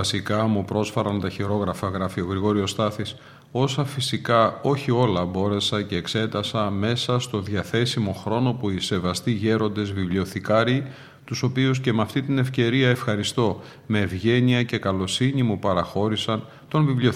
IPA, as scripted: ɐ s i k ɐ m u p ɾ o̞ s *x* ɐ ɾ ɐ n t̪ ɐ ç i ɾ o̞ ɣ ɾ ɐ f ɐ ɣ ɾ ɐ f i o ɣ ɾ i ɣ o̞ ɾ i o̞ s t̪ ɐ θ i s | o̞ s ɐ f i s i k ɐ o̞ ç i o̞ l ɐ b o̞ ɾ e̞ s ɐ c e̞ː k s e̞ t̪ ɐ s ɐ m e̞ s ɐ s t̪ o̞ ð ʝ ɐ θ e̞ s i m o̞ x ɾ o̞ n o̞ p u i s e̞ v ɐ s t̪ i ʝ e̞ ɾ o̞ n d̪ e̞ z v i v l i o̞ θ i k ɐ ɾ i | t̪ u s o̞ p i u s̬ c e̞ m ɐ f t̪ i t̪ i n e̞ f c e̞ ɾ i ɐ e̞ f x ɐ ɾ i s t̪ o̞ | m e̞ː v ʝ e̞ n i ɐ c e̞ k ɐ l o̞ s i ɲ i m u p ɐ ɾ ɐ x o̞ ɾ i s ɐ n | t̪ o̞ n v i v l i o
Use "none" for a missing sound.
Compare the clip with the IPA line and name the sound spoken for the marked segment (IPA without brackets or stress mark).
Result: f